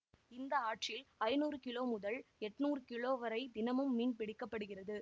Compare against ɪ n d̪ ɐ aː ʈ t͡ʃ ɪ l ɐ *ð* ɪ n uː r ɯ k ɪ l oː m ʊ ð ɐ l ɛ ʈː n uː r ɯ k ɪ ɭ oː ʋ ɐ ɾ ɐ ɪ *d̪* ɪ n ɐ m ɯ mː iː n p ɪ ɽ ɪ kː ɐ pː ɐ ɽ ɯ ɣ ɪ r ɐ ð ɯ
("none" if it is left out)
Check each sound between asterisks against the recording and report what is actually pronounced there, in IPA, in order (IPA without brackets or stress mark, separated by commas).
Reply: none, d̪